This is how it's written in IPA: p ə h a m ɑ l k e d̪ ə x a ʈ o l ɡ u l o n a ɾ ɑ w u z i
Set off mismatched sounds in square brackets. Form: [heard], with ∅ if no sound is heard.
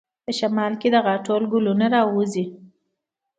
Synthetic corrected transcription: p ə [ʃ] a m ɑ l k e d̪ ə [ɣ] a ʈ o l ɡ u l [u] n a ɾ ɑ w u z i